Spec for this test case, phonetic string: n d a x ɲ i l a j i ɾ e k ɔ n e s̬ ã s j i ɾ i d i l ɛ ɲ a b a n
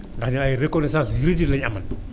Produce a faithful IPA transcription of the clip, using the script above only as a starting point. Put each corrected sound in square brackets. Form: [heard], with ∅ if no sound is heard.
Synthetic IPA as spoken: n d a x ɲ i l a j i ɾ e k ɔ n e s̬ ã s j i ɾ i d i l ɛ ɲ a [m] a n